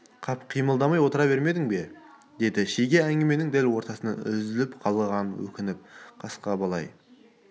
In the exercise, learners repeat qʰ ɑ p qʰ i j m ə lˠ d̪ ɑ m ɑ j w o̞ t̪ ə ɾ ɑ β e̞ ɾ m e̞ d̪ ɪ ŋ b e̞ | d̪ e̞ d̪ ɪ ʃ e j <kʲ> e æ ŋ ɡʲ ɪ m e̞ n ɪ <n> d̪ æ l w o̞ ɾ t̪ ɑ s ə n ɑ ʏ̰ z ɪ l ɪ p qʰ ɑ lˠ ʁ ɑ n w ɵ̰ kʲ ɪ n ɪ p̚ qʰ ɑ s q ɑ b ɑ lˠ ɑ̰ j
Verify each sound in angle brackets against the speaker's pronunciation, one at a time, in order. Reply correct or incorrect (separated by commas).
incorrect, incorrect